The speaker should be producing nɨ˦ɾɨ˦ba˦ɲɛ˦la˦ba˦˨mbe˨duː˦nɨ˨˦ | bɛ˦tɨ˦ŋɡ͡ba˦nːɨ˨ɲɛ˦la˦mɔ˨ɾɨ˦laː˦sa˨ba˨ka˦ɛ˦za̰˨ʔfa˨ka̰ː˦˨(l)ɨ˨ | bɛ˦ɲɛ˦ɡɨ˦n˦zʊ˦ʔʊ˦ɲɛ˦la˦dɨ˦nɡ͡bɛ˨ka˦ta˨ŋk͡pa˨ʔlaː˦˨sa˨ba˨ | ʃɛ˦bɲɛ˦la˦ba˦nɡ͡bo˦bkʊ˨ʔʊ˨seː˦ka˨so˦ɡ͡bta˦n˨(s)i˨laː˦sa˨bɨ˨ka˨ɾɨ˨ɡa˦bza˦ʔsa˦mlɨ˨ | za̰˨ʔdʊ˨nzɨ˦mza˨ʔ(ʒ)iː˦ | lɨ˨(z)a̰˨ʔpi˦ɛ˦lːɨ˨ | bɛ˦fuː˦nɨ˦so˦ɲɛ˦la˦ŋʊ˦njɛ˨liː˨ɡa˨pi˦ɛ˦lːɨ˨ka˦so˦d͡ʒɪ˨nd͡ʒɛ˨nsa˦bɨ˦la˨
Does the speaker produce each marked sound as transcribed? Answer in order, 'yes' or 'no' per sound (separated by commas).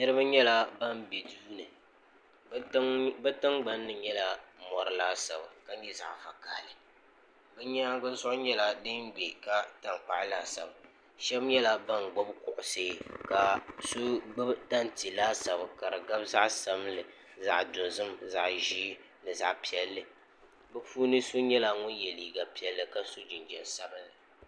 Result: yes, no, yes, yes